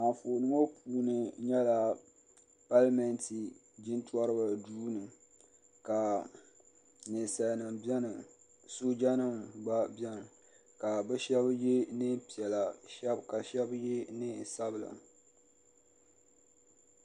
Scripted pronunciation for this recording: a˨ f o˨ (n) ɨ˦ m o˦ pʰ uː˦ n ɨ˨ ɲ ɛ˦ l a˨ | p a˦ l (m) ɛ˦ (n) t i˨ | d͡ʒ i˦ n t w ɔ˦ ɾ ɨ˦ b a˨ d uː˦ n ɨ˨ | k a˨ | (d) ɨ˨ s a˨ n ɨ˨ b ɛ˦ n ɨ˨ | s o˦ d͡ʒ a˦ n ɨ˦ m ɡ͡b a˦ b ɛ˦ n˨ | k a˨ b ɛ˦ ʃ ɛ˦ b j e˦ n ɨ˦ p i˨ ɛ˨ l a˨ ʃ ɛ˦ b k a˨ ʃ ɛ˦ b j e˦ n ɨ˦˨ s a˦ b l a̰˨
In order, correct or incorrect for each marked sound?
correct, correct, correct, incorrect: n

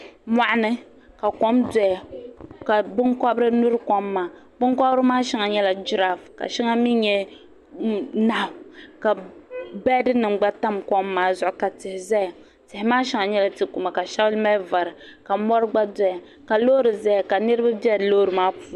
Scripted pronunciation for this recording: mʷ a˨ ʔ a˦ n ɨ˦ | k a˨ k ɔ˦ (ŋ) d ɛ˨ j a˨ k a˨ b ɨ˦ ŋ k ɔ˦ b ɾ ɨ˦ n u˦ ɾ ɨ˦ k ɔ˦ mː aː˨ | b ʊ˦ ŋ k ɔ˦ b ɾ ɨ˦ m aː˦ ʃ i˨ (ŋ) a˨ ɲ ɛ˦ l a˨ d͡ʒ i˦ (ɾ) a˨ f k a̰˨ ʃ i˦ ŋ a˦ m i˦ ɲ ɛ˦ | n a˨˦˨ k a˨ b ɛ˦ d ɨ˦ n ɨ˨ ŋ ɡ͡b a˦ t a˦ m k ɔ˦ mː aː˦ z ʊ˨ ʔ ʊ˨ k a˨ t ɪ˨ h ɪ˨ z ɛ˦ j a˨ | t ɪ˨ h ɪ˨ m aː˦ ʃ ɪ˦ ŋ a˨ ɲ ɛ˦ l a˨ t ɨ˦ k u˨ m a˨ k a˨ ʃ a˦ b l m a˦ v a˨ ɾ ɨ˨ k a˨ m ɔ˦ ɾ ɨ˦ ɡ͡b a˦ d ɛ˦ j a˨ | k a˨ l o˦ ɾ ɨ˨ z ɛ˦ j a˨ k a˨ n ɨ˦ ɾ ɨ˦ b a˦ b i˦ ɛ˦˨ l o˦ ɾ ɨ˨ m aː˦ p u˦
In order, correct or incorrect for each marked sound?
incorrect: m, correct, correct

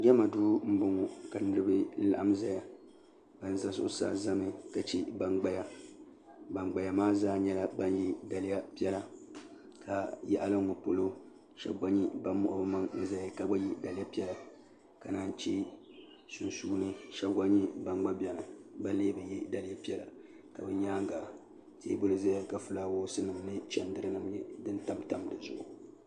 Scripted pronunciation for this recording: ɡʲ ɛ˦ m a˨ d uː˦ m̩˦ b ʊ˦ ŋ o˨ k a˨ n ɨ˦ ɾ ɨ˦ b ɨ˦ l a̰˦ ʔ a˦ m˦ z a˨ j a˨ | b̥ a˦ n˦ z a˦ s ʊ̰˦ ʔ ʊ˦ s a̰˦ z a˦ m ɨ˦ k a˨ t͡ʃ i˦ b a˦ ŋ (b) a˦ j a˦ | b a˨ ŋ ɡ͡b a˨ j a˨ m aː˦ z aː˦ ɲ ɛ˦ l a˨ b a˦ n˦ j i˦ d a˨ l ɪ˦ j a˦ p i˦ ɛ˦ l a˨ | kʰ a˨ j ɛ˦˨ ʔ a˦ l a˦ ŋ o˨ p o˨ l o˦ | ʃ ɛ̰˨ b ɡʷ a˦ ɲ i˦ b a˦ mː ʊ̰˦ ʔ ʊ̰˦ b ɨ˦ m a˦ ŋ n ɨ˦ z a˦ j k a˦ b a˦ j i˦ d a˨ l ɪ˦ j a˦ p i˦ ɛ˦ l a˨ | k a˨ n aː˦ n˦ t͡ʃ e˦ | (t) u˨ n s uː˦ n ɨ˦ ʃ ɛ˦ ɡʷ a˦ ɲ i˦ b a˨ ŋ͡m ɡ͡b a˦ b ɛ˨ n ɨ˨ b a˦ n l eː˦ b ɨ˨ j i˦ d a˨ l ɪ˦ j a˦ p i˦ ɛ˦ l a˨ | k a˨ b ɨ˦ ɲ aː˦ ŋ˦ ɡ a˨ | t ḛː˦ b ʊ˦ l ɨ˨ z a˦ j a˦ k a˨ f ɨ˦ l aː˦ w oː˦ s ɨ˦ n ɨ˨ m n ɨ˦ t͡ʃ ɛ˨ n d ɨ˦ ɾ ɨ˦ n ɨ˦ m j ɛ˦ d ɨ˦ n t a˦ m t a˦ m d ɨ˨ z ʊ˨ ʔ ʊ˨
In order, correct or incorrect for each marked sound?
incorrect: ɡ͡b, incorrect: s

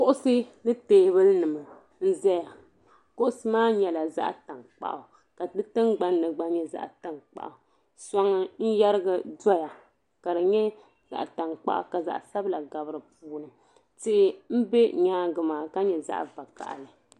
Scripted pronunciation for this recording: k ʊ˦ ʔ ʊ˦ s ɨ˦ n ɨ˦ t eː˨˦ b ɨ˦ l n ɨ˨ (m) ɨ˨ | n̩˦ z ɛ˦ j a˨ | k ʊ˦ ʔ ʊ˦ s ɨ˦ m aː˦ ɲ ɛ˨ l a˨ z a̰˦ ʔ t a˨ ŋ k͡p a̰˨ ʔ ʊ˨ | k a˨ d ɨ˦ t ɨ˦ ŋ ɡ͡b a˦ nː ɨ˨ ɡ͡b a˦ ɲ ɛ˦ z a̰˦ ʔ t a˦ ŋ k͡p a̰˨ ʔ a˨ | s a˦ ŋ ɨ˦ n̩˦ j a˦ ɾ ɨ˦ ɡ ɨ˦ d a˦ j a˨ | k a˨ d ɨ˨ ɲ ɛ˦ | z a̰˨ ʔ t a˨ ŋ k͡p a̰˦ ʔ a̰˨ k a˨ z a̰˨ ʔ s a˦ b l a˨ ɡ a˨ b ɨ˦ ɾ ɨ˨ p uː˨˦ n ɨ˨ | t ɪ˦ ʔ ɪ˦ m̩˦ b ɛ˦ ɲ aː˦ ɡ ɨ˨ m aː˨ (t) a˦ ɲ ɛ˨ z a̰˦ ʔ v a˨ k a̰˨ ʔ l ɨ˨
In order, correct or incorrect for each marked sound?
correct, incorrect: k

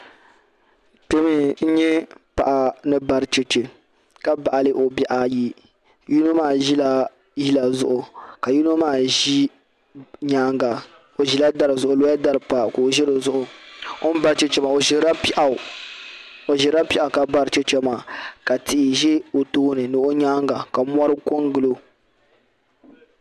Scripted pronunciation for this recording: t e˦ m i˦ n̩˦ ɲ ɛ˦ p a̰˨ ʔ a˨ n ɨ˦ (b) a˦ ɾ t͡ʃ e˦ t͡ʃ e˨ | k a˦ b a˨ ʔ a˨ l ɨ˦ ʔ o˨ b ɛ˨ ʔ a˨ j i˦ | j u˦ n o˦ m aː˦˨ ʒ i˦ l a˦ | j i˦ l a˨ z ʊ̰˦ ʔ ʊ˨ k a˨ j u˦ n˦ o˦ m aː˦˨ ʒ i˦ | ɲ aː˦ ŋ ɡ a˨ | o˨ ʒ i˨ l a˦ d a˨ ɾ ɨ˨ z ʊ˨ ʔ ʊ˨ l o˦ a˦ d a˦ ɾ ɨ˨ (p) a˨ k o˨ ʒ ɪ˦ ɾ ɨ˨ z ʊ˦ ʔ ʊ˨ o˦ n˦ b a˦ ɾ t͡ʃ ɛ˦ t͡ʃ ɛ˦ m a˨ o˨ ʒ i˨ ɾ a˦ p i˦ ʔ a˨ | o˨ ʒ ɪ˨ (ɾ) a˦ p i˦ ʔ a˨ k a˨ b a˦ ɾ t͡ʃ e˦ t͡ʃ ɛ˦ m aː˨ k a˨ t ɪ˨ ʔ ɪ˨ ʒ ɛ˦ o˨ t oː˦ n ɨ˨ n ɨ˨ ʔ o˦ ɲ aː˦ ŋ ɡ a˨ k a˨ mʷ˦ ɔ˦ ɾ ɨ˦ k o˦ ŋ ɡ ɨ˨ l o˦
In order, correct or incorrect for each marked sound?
correct, correct, correct

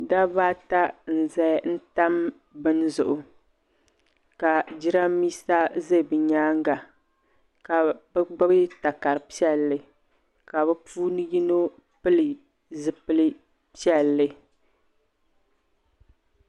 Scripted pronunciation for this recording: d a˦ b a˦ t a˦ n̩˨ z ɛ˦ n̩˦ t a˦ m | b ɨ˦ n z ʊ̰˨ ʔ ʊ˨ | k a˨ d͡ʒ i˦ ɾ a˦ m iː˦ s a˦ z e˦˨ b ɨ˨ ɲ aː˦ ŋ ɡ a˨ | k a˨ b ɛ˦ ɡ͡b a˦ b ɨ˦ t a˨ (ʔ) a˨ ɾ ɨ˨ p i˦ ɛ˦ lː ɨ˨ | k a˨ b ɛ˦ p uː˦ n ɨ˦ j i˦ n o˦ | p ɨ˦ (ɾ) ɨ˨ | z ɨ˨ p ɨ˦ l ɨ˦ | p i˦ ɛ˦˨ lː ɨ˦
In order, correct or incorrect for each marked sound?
incorrect: k, incorrect: l

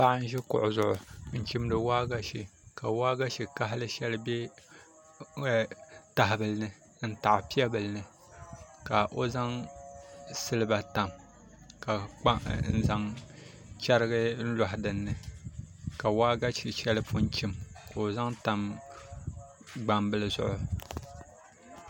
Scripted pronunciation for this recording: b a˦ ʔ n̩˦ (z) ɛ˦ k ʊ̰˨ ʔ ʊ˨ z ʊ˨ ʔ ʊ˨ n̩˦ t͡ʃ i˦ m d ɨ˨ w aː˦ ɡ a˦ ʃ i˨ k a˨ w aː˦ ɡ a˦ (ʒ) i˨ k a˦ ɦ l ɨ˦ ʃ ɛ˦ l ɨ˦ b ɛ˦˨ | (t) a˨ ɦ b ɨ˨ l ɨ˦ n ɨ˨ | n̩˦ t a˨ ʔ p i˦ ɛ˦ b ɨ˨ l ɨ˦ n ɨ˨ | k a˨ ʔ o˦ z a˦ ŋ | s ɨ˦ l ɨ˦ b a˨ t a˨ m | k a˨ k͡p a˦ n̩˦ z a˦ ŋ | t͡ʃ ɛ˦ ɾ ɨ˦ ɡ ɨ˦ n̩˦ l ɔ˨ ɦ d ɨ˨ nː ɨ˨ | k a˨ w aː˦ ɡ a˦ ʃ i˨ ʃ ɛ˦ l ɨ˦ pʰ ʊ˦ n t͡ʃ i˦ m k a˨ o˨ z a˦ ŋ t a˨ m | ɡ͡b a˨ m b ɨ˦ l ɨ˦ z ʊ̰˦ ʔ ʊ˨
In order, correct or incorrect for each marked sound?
incorrect: ʒ, incorrect: ʃ, correct

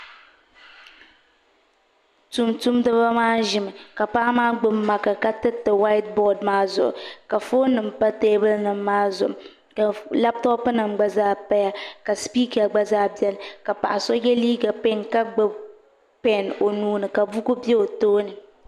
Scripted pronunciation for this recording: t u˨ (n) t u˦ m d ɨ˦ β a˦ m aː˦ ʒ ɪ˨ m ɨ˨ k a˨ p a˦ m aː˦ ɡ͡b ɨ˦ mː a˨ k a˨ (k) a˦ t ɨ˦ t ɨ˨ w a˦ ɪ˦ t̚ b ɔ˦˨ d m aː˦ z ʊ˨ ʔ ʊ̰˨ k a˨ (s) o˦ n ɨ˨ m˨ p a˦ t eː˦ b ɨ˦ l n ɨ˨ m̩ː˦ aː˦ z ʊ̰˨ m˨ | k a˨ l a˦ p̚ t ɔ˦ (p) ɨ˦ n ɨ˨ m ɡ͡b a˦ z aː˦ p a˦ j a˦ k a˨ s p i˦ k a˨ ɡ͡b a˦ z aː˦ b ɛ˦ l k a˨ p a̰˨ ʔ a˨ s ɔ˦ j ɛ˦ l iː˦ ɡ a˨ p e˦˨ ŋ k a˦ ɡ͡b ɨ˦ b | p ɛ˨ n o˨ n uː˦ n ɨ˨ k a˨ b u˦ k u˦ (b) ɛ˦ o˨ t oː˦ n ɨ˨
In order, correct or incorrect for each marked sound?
incorrect: m, correct, incorrect: f, correct, correct

